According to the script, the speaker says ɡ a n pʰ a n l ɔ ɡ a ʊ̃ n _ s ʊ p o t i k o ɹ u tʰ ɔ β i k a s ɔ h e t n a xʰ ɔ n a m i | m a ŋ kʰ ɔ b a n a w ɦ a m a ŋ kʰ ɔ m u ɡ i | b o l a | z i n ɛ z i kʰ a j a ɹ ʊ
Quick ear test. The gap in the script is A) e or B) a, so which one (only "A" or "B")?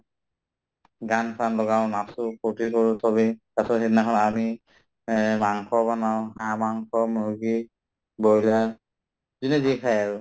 B